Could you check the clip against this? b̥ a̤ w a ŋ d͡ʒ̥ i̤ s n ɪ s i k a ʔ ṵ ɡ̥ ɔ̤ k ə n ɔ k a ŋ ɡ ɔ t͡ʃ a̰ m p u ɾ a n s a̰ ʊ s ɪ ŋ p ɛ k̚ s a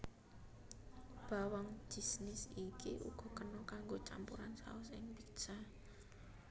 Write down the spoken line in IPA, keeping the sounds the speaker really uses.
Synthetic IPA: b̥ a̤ w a ŋ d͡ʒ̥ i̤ s n ɪ s i k i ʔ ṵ ɡ̥ ɔ̤ k ə n ɔ k a ŋ ɡ o t͡ʃ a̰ m p u ɾ a n s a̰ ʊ s ɪ ŋ p i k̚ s a